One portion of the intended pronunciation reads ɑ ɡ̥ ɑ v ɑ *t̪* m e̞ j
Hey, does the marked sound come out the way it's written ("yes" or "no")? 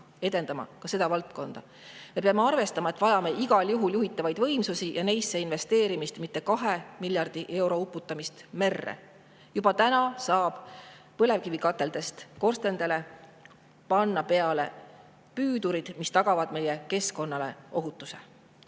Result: no